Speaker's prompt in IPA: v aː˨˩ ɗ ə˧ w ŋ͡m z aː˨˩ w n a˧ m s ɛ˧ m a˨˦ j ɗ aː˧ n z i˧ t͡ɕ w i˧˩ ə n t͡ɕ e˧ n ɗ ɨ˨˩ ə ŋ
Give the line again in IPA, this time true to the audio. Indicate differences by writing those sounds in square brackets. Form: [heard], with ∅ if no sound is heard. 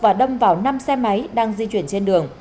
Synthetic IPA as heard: v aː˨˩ ɗ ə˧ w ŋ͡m [v] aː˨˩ w n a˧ m s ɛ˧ m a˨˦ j ɗ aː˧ [ŋ] z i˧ t͡ɕ w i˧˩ ə n t͡ɕ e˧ n ɗ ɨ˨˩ ə ŋ